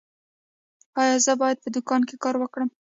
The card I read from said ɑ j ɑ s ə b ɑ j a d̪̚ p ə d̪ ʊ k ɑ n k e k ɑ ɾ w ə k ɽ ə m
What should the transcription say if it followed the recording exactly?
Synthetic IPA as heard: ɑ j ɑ z ə b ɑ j a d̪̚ p ə d̪ ʊ k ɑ n k e k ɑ ɾ w ə k ɽ ə m